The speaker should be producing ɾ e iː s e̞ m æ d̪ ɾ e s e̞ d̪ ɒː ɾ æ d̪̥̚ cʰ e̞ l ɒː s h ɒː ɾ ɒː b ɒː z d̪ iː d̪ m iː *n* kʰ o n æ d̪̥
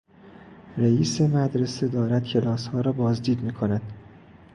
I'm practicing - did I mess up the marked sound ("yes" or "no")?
yes